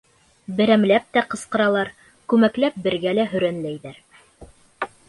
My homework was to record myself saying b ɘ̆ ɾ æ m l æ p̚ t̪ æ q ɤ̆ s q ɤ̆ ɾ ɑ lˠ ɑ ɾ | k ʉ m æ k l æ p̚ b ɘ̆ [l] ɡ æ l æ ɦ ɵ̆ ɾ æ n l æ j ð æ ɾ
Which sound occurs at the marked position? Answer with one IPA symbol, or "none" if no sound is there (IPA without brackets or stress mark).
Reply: ɾ